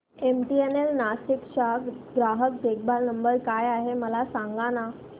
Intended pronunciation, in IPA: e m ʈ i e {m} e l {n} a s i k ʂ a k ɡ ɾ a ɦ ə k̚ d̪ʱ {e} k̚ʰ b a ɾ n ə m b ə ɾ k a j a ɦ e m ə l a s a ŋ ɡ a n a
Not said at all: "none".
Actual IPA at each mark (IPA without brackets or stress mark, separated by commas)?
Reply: n, n, e